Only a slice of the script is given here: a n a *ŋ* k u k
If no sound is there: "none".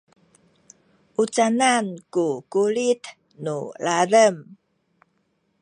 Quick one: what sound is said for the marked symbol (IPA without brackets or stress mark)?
n